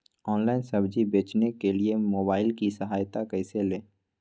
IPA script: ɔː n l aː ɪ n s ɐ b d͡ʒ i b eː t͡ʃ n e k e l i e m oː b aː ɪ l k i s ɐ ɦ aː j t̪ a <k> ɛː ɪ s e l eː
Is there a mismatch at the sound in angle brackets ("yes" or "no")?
no